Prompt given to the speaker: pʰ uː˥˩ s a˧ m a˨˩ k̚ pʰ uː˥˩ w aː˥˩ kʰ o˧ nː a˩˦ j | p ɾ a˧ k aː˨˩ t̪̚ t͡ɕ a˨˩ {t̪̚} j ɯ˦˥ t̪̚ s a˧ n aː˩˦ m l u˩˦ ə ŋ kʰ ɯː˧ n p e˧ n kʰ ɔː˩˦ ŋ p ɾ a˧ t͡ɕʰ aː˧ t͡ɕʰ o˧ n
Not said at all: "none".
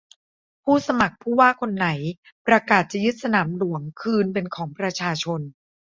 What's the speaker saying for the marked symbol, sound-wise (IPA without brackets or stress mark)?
none